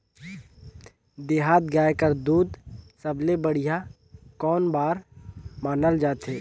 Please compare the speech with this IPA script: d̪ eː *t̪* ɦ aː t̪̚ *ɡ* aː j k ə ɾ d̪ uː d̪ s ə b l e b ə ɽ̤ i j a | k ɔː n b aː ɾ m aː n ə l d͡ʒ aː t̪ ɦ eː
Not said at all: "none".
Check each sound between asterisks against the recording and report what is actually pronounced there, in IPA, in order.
none, ɡ

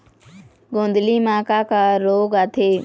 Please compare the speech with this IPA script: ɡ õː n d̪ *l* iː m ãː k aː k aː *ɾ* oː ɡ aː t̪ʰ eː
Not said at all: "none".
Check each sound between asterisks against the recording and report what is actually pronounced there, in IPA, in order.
l, ɾ

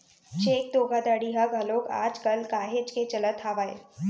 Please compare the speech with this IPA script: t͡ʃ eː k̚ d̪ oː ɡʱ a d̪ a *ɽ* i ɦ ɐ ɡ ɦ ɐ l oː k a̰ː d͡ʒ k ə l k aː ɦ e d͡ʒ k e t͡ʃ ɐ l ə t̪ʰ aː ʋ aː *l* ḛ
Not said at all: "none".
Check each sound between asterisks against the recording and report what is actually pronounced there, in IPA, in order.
ɽ, none

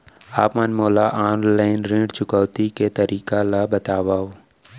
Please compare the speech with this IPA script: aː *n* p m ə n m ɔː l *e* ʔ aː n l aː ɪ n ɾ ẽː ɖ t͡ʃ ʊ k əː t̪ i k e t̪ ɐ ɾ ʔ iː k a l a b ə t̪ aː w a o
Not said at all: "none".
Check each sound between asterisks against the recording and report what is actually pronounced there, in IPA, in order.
none, a

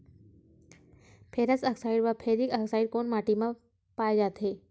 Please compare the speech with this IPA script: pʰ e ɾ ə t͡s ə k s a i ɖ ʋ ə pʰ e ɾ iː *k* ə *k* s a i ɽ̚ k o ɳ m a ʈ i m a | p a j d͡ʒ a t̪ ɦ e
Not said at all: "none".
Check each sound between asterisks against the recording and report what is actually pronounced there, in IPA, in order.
k, k

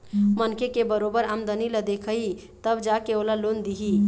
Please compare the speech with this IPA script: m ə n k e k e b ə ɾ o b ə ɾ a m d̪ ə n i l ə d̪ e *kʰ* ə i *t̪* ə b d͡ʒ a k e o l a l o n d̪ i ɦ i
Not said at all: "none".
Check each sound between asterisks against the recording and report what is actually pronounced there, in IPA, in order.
kʰ, t̪

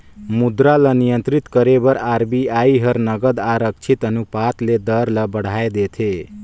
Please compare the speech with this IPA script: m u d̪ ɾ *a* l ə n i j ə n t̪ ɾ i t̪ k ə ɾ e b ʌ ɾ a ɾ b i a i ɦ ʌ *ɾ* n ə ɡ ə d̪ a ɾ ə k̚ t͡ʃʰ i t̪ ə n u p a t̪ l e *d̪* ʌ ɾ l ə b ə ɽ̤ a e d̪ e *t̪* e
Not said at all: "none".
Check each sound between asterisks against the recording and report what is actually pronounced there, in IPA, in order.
a, ɾ, d̪, t̪ʰ

